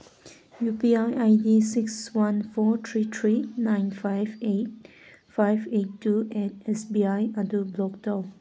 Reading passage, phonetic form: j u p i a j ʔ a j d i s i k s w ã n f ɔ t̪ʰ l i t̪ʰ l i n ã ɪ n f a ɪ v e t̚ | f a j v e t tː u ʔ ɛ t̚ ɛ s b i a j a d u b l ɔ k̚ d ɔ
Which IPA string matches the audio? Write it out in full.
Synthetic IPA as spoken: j u p i a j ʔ a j d i s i k s w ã n f ɔ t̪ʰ ɹ i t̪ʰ ɹ i n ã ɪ n f a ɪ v e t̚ | f a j v e t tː u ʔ ɛ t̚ ɛ s b i a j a d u b l ɔ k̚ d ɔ